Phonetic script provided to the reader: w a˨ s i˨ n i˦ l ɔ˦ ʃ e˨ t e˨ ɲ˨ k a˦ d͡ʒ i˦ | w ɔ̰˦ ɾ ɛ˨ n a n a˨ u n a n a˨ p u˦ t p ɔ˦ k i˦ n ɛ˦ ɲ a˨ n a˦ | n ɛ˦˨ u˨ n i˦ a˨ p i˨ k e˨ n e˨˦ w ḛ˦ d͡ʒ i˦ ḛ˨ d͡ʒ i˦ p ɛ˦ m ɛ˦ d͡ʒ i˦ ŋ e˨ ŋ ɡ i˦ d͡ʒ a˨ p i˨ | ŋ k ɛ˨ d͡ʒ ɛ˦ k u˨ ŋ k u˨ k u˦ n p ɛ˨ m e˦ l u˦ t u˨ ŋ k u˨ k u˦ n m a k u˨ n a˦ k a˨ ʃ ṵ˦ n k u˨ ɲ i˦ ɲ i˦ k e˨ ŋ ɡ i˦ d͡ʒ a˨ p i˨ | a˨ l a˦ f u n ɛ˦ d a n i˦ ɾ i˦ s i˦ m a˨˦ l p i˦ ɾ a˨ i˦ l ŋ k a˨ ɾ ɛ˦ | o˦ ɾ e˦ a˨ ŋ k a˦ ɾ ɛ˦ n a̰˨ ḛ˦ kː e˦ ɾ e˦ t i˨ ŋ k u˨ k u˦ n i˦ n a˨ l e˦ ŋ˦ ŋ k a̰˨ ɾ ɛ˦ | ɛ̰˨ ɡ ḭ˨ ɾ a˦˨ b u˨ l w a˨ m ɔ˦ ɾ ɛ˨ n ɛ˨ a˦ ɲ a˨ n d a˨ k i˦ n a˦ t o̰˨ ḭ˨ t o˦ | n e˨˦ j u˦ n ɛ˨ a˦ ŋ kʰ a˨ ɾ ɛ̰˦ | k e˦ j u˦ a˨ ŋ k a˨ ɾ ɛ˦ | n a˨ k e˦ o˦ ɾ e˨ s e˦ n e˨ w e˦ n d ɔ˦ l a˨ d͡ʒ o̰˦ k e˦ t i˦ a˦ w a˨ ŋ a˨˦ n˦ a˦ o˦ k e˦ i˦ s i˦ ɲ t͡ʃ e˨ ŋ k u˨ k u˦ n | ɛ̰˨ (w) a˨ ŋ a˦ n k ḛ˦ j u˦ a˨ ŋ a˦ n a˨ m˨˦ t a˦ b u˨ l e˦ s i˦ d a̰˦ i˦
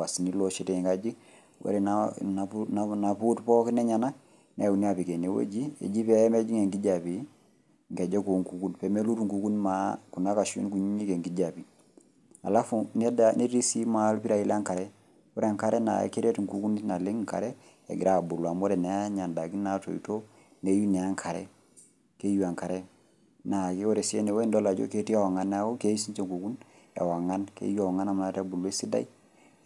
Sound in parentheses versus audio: correct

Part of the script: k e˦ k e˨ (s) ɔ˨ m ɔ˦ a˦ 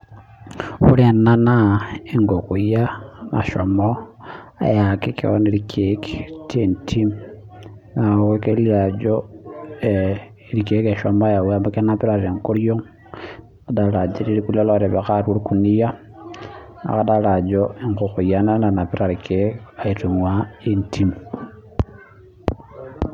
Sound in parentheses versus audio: incorrect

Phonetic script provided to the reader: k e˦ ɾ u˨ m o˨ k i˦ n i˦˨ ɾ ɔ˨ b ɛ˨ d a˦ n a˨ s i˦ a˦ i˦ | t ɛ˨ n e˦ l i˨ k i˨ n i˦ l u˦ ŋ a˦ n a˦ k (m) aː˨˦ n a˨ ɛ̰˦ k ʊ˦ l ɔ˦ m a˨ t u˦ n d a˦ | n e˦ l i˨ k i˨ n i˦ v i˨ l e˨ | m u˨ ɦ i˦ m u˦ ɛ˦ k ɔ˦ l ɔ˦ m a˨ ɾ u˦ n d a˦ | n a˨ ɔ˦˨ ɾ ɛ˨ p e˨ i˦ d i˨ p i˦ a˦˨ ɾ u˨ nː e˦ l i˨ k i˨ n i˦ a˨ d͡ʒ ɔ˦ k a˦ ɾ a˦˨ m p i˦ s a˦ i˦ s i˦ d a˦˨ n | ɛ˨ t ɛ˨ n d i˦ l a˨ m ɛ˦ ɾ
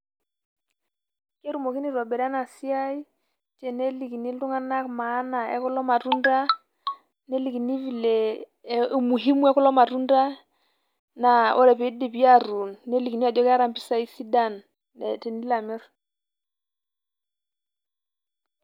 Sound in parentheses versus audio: correct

